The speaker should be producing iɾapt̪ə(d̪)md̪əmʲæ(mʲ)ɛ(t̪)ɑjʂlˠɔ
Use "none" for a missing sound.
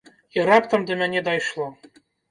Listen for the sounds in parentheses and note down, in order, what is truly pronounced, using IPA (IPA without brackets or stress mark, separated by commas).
none, nʲ, d̪